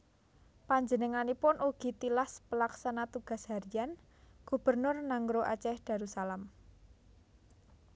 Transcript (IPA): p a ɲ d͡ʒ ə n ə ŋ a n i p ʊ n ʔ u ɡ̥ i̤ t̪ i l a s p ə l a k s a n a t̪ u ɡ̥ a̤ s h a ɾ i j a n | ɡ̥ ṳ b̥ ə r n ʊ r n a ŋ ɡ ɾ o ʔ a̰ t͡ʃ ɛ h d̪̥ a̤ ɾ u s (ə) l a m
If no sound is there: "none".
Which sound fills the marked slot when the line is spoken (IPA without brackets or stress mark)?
a